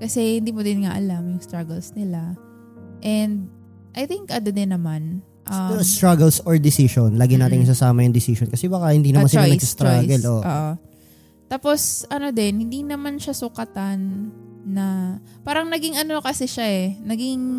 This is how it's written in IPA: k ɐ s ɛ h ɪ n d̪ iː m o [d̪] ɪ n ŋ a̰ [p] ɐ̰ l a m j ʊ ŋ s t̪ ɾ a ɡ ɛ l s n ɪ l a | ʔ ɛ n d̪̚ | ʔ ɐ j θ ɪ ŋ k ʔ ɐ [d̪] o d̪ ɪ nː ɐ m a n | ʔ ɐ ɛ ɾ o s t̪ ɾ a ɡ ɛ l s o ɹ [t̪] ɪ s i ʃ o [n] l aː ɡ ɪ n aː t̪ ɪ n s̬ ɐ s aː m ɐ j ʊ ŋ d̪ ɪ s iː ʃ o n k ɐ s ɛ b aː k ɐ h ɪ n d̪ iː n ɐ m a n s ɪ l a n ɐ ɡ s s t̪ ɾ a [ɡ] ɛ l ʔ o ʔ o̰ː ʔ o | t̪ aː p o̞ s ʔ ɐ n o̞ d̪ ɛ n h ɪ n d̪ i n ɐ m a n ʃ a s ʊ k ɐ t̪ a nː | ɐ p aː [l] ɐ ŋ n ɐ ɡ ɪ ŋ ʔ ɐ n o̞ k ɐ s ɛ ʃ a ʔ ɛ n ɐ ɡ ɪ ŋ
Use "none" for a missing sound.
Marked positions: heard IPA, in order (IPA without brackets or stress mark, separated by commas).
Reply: d̪, ʔ, d̪, d̪, n, ɡ, ɾ